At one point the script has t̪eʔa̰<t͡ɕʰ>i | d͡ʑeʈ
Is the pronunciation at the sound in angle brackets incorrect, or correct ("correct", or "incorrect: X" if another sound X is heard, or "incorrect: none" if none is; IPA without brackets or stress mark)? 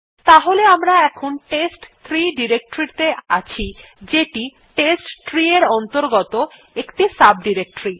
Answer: correct